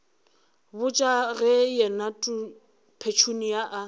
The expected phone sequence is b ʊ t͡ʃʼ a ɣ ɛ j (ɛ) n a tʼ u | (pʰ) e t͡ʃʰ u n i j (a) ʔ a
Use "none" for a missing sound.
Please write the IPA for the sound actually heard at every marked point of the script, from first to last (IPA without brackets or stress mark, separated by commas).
ɛ, pʰ, a